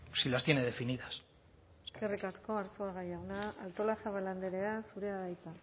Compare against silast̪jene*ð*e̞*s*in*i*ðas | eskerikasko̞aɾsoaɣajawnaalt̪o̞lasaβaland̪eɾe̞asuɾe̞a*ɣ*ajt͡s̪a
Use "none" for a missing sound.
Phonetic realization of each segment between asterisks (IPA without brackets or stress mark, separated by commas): ð, f, i, ð